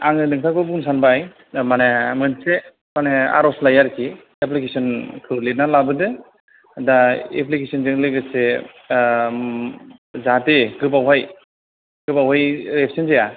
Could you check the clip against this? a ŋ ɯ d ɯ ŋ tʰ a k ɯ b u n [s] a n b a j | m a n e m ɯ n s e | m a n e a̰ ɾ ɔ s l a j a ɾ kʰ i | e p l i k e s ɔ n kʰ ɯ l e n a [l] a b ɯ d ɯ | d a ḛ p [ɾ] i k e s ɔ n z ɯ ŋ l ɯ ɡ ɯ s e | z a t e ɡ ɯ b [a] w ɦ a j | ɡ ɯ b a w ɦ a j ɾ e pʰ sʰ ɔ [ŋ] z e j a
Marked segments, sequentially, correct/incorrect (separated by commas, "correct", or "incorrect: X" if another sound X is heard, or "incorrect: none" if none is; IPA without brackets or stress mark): correct, correct, incorrect: l, correct, incorrect: n